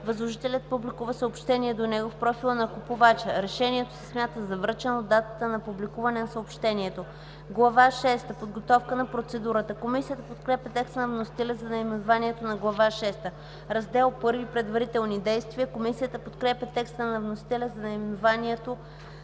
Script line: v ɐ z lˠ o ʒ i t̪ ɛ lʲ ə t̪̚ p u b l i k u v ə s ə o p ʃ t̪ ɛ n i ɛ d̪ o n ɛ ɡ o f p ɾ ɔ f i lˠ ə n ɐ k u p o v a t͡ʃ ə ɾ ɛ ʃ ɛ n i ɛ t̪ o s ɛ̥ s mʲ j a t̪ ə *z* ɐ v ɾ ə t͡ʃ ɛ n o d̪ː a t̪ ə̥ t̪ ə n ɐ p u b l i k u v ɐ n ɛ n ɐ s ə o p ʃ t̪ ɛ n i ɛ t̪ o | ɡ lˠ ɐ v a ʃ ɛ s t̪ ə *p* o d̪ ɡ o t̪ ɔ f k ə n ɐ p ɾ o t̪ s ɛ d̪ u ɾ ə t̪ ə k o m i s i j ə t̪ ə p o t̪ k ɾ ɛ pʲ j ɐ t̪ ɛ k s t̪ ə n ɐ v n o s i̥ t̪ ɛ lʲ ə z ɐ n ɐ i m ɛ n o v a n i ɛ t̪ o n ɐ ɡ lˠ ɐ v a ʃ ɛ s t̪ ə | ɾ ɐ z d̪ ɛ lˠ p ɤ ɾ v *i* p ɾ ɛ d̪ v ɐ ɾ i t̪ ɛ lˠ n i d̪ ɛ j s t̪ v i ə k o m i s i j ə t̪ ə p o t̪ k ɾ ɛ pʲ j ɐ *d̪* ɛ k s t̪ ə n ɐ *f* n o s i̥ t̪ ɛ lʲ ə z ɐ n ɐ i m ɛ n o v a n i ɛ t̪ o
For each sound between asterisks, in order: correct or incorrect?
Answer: correct, correct, correct, incorrect: t̪, incorrect: v

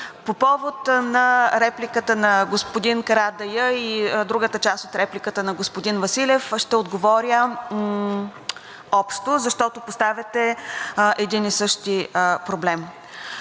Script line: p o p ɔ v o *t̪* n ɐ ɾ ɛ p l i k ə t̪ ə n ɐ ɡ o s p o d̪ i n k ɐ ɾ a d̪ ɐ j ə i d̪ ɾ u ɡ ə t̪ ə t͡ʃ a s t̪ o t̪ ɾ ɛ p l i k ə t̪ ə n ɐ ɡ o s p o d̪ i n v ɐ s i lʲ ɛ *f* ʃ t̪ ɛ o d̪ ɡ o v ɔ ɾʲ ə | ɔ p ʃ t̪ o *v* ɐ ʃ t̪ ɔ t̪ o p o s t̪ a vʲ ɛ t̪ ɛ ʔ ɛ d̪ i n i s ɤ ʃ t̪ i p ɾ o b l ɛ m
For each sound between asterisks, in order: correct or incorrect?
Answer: correct, correct, incorrect: z

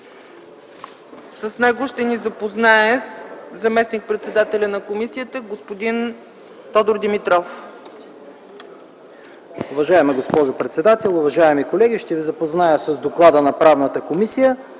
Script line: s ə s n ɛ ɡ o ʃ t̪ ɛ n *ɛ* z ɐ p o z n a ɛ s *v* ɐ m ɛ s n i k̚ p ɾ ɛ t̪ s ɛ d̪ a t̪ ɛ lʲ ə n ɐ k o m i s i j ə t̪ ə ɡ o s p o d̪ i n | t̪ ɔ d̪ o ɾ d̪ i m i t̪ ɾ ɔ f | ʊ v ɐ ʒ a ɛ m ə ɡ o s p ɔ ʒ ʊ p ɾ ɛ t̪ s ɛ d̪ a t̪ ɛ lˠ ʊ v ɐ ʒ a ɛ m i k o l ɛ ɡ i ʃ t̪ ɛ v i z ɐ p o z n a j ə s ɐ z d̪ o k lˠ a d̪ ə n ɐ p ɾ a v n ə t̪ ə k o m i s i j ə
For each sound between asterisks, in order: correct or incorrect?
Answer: incorrect: i, incorrect: z

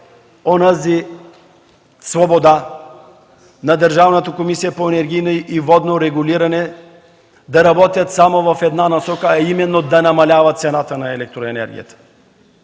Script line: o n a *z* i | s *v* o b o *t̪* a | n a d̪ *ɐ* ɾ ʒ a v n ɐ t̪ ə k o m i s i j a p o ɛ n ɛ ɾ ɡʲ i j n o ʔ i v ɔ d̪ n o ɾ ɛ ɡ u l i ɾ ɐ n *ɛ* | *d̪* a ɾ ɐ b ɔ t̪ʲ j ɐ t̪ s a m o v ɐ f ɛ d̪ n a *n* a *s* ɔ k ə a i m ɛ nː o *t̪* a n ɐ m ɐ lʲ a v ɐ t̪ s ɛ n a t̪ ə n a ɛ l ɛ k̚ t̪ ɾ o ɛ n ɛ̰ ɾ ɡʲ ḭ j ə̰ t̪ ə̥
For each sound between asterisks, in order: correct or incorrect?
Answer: correct, correct, incorrect: d̪, incorrect: ə, correct, correct, correct, correct, incorrect: d̪

